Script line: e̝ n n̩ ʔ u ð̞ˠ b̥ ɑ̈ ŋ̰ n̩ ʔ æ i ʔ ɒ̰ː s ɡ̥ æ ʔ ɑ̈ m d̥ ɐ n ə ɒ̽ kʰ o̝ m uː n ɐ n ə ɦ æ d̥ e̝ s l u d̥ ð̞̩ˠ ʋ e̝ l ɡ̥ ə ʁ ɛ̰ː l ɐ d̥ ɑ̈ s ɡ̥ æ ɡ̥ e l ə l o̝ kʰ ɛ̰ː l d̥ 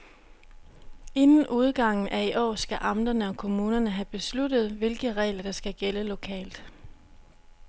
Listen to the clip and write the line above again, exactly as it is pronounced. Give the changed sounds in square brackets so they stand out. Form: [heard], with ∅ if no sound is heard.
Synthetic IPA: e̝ n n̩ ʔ u ð̞ˠ [ɡ̥] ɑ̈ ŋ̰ n̩ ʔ æ i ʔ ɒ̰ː s ɡ̥ æ ʔ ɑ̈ m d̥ ɐ n ə ɒ̽ kʰ o̝ m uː n ɐ n ə ɦ æ [b̥] e̝ s l u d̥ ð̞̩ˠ ʋ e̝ l ɡ̥ ə ʁ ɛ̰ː l ɐ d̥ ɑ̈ s ɡ̥ æ ɡ̥ e l ə l o̝ kʰ ɛ̰ː l d̥